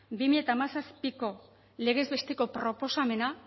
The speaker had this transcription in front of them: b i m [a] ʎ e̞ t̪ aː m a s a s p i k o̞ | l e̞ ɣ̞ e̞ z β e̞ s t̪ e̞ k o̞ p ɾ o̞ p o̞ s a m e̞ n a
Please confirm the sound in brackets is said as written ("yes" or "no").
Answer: no